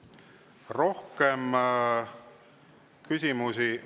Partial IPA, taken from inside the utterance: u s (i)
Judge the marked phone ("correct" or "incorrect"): correct